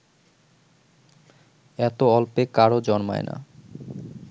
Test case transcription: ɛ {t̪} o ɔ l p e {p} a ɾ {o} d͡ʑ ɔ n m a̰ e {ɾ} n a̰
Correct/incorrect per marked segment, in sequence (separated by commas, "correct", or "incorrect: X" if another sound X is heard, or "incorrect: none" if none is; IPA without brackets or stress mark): correct, incorrect: k, correct, incorrect: none